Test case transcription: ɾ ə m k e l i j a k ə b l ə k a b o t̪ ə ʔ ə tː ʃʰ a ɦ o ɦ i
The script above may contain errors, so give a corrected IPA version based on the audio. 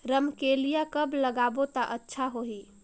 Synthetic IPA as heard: ɾ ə m k e l i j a k ə b l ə ɡ a b o t̪ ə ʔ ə tː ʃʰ a ɦ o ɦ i